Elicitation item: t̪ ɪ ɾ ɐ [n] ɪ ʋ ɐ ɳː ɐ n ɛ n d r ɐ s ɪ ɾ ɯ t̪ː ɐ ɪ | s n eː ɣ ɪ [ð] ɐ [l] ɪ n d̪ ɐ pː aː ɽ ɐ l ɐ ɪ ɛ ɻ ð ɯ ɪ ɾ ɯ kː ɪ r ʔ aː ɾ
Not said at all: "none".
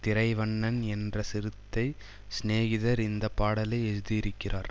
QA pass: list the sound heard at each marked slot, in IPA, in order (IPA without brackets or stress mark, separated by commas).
none, ð, ɾ